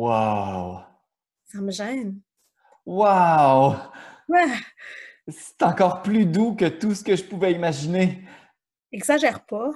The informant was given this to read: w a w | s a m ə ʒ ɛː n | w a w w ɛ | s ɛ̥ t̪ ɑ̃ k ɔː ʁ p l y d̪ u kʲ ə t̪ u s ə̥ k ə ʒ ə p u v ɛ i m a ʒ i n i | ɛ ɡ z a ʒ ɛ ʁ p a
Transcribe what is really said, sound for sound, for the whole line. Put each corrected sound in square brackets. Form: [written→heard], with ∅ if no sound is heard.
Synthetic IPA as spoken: w a w | s a m ə ʒ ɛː n | w a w w ɛ | s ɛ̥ t̪ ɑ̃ k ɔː ʁ p l y d̪ u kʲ ə t̪ u s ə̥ k ə ʒ ə p u v ɛ i m a ʒ i n [i→e] | ɛ ɡ z a ʒ ɛ ʁ p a